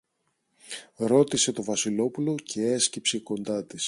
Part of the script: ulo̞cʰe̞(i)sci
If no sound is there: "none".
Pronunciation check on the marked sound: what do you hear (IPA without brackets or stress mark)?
e